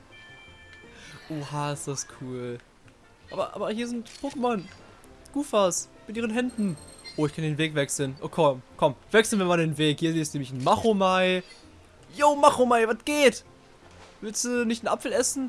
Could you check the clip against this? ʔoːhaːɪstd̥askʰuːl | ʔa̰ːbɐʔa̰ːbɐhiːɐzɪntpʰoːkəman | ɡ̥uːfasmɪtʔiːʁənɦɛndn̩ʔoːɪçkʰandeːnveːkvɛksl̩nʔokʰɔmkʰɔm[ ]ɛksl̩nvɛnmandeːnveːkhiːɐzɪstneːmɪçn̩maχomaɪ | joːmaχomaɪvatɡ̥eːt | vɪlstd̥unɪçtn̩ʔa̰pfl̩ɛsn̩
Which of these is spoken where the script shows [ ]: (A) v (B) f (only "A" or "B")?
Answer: A